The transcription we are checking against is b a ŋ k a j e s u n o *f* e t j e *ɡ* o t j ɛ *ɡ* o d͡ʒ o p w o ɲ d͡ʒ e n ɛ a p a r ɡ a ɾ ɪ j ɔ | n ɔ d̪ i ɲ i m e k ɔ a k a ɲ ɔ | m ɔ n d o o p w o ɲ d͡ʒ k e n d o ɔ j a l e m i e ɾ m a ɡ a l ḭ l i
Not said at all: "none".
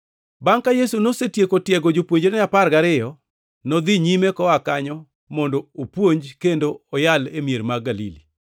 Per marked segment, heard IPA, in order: s, k, ɡ

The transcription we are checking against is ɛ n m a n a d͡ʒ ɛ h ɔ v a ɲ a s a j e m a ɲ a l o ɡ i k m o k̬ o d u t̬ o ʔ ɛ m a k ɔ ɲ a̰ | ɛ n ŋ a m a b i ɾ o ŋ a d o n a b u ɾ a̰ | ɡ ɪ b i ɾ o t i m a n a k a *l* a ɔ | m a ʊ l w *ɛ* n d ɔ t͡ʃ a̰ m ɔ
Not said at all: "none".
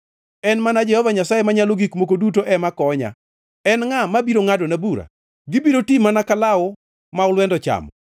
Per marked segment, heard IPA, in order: l, ɛ

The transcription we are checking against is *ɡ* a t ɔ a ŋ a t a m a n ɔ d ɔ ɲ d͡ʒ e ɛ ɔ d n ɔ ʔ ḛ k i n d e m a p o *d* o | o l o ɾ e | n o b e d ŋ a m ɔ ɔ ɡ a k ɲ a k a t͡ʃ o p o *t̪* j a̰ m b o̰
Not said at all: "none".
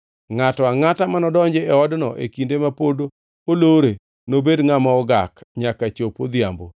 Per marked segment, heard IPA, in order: ŋ, d, d̪

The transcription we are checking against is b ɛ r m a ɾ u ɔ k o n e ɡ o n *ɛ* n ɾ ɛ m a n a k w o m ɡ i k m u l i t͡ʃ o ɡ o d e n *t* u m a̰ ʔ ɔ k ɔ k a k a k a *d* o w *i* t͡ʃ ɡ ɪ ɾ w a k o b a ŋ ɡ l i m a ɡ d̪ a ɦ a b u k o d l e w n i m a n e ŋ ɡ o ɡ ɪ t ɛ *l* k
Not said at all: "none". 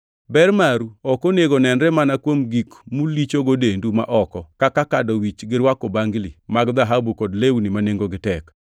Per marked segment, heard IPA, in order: ɛ, d, d, i, none

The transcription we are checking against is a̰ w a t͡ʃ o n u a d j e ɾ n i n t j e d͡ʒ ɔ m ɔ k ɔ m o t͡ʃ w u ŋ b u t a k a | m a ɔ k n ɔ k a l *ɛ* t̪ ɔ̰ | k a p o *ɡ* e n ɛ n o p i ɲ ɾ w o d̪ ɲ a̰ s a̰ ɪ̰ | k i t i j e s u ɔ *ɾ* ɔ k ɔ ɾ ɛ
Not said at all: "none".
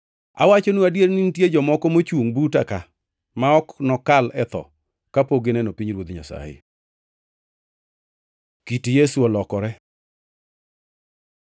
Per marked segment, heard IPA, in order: ɛ, ɡ, l

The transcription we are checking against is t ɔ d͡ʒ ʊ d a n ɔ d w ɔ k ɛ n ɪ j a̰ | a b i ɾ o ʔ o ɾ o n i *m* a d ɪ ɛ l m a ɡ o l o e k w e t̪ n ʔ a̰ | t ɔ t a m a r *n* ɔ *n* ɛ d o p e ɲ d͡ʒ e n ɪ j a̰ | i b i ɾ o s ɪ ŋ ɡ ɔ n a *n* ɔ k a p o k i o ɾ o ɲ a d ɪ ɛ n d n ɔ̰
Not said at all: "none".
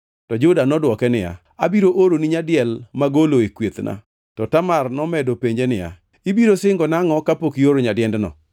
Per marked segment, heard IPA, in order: ɲ, n, m, ŋ

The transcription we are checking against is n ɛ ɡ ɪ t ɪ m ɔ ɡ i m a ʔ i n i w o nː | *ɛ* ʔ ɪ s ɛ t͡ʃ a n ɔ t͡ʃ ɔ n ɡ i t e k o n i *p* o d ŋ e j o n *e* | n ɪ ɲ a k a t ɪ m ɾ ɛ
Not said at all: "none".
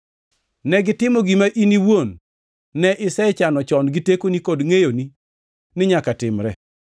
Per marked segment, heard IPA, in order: ɛ, k, i

